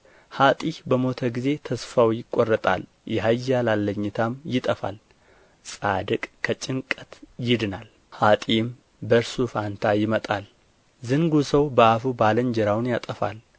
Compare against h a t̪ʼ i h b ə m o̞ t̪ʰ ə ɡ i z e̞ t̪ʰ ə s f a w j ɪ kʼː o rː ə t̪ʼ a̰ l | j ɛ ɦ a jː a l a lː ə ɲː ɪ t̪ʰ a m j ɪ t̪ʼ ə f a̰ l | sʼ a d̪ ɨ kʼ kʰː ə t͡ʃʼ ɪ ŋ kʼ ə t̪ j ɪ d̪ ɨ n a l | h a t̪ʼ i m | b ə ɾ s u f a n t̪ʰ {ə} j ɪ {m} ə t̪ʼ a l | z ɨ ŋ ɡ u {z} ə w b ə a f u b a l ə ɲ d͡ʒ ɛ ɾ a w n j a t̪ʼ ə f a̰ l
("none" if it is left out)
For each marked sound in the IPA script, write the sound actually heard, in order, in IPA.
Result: a, m, s

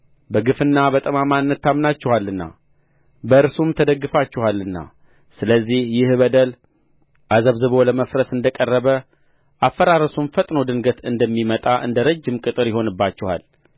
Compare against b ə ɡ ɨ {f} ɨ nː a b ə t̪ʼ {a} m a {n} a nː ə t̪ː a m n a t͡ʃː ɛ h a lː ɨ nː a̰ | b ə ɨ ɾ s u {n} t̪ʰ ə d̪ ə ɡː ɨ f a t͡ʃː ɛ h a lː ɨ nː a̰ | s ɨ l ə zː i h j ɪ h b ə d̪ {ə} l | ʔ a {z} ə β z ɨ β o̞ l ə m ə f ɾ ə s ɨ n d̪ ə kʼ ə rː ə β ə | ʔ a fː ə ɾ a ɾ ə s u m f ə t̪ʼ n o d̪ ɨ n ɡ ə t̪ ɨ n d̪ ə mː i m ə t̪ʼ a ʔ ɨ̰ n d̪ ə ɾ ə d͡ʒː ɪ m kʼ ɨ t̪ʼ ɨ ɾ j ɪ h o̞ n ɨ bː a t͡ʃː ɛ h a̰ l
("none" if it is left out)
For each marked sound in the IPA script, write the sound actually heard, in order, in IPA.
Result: f, ə, m, m, ə, z

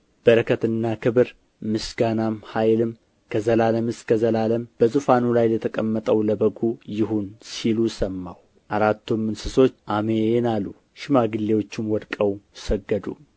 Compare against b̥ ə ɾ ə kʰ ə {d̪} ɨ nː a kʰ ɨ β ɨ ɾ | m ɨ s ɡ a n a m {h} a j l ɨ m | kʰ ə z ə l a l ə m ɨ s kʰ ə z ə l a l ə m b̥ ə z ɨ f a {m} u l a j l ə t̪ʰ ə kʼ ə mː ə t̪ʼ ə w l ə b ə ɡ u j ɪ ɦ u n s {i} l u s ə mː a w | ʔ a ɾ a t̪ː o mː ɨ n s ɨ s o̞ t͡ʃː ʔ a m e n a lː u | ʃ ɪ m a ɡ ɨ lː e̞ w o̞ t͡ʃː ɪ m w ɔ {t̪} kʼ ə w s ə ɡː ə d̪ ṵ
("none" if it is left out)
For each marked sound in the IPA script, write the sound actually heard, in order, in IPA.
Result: t̪, h, n, i, d̪

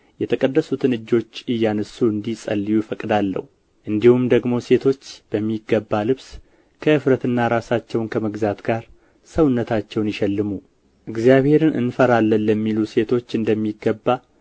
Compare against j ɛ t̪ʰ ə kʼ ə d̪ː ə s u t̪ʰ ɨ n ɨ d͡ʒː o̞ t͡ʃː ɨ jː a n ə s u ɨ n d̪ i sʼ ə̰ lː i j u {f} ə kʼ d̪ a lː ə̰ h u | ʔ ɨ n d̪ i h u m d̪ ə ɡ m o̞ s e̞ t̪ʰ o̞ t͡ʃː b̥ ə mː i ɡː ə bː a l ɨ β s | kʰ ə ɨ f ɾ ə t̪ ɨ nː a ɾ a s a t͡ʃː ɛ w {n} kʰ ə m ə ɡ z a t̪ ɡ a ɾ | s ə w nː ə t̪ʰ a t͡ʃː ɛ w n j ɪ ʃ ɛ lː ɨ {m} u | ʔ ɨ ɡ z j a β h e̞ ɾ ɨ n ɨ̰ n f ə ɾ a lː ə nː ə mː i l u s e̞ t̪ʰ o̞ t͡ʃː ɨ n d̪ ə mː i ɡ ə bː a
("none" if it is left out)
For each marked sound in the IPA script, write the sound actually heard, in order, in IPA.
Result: f, n, m

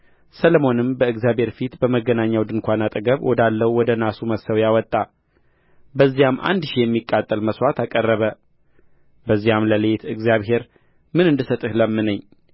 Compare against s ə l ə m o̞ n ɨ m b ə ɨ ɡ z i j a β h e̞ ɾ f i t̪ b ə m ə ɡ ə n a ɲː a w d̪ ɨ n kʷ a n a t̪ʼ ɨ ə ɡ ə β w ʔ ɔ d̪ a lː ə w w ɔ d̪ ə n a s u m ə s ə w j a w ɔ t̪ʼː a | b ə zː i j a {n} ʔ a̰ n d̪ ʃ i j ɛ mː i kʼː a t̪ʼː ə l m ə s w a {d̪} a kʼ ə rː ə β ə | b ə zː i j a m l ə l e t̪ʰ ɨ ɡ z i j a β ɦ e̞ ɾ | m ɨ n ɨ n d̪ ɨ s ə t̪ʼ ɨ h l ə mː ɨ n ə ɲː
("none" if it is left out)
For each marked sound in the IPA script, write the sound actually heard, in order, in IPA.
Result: m, t̪

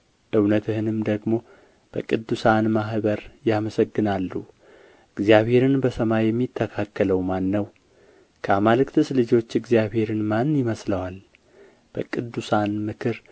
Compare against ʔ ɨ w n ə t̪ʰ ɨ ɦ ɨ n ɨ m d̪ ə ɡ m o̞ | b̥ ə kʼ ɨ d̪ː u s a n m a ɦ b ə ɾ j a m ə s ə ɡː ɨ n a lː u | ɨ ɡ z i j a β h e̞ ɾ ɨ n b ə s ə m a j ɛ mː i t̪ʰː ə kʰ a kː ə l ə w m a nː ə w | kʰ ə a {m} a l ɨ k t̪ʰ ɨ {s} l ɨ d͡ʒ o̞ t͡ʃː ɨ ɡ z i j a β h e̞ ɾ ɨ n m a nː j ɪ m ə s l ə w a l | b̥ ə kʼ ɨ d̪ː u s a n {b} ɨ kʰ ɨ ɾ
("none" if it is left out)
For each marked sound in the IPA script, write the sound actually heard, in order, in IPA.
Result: m, s, m

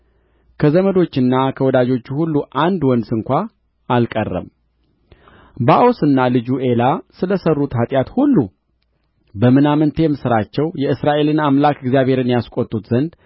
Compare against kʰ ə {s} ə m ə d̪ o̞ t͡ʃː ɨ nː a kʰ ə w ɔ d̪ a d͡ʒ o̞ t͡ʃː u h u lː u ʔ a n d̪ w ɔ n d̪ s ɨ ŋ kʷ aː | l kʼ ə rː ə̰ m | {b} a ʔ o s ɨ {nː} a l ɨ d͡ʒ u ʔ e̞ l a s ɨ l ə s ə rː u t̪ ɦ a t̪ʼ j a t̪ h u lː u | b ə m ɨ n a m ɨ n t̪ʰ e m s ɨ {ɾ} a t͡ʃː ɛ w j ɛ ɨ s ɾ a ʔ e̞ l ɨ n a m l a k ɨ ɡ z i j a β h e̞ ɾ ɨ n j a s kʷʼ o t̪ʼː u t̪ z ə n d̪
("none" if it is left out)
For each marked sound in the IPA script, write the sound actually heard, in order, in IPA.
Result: z, b, nː, ɾ

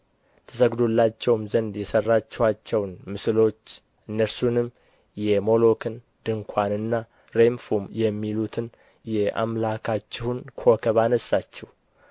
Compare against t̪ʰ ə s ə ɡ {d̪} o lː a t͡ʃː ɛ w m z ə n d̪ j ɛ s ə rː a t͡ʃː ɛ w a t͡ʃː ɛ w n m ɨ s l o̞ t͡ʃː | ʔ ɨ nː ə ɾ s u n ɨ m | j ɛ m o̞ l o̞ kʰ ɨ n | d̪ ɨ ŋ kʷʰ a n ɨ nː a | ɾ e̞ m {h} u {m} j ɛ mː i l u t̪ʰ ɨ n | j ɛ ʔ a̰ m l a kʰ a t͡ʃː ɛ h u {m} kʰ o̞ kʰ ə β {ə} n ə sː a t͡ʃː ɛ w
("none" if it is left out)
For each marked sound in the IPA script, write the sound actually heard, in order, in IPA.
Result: d̪, f, m, n, a

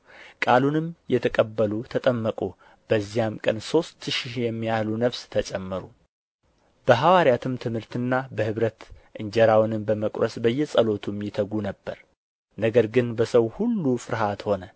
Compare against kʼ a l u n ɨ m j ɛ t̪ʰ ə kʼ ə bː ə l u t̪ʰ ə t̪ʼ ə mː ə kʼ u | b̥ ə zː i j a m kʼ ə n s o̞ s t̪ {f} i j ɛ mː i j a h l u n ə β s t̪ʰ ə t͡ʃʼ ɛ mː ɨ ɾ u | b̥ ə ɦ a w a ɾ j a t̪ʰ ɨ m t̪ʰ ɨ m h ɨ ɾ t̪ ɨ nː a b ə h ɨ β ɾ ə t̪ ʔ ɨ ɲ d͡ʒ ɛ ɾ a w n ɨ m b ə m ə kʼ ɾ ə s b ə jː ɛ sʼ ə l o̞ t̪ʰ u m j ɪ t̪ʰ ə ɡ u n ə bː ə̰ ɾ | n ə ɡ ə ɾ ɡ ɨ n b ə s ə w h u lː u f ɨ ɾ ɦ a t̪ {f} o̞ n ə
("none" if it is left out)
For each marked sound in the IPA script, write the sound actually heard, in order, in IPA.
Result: ʃ, h

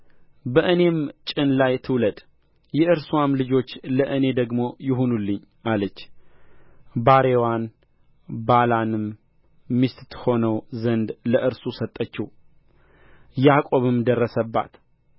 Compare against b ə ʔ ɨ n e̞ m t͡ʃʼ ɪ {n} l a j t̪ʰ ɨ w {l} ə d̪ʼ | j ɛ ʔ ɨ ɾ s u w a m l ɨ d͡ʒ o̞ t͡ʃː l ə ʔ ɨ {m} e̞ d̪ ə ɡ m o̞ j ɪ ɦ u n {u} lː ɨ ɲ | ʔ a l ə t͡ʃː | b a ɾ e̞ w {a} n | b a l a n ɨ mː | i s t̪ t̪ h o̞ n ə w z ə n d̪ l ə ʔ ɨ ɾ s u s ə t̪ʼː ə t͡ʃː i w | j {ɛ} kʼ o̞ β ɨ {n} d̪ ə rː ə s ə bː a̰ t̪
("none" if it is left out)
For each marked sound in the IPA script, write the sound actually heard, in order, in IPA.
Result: n, l, n, u, a, a, m

